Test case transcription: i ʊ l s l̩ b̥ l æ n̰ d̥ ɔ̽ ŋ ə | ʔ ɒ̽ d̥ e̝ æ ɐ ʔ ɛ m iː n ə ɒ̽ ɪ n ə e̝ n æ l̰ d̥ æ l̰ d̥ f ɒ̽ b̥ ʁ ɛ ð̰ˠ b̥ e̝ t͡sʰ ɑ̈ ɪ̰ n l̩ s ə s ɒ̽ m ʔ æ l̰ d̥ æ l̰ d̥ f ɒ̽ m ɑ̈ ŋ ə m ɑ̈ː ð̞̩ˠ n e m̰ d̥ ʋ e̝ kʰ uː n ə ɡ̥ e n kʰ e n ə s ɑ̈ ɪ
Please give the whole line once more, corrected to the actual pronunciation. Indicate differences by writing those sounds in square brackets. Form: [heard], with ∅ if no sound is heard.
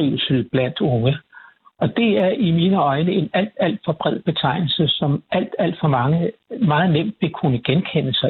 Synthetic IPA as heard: i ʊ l s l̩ b̥ l æ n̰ d̥ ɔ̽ ŋ ə | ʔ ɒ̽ d̥ e̝ æ ɐ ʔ [i] m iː n ə ɒ̽ ɪ n ə e̝ n æ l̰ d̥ æ l̰ d̥ f ɒ̽ b̥ ʁ ɛ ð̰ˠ b̥ e̝ t͡sʰ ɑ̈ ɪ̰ n l̩ s ə s ɒ̽ m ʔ æ l̰ d̥ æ l̰ d̥ f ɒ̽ m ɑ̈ ŋ ə m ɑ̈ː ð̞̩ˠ n e m̰ d̥ ʋ e̝ kʰ [u] n ə ɡ̥ e n kʰ e n ə s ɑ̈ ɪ